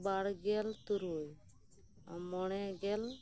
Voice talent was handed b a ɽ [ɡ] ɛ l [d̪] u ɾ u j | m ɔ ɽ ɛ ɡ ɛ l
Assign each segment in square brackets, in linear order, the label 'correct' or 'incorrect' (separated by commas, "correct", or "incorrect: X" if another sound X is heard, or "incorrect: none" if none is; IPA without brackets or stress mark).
correct, incorrect: t̪